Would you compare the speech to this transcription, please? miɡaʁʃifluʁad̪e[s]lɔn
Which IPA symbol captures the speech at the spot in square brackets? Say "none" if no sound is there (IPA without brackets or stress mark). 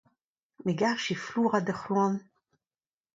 χ